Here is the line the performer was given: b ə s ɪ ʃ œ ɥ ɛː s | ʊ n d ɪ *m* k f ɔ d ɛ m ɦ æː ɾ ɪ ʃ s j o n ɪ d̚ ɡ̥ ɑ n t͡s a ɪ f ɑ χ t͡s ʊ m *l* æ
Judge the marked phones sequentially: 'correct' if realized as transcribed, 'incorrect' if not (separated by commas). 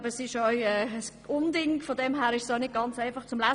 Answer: incorrect, correct